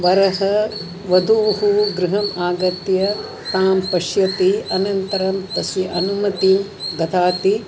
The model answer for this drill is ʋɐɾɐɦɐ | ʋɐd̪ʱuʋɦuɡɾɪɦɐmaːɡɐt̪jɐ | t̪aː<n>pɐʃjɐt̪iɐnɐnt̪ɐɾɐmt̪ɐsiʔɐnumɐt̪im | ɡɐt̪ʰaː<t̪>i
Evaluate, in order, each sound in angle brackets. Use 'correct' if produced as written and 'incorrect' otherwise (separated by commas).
incorrect, correct